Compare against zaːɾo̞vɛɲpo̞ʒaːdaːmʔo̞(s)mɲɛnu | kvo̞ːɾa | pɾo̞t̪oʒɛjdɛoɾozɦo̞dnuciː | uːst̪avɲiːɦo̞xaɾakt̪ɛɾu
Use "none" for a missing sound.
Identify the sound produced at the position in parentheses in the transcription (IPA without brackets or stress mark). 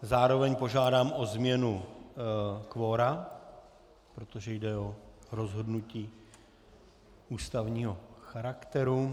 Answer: z